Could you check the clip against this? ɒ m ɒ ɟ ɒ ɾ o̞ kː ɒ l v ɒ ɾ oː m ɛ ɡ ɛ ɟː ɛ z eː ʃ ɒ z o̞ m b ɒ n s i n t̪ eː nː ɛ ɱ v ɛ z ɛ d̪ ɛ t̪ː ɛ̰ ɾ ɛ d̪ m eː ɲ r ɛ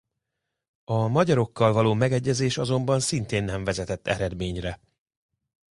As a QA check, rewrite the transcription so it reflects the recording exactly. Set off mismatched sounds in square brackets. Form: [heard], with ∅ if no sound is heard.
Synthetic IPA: ɒ m ɒ ɟ ɒ ɾ o̞ kː ɒ l v ɒ [l] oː m ɛ ɡ ɛ ɟː ɛ z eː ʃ ɒ z o̞ m b ɒ n s i n t̪ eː nː ɛ ɱ v ɛ z ɛ [t̪] ɛ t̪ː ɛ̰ ɾ ɛ d̪ m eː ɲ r ɛ